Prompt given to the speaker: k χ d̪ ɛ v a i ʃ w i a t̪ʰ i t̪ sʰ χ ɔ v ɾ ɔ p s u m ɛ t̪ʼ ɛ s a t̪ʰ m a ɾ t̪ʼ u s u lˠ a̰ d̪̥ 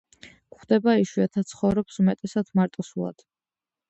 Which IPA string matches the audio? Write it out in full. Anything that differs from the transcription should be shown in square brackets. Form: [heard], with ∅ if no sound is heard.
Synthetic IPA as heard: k χ d̪ ɛ [b] a i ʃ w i a t̪ʰ [a] t̪ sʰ χ ɔ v ɾ ɔ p s u m ɛ t̪ʼ ɛ s a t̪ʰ m a ɾ t̪ʼ [ɔ] s u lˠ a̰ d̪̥